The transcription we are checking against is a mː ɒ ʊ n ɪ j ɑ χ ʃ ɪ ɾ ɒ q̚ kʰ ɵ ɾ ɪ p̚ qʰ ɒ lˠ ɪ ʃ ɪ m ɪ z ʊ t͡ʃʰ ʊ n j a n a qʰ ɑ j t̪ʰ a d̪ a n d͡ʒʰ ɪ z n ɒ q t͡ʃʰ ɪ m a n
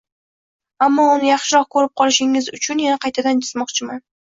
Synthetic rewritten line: a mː ɒ ʊ n ɪ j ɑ χ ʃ ɪ ɾ ɒ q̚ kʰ ɵ ɾ ɪ p̚ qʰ ɒ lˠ ɪ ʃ ɪ ŋ ɪ z ʊ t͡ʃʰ ʊ n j a n a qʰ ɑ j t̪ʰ a d̪ a n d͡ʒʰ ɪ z m ɒ q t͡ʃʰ ɪ m a n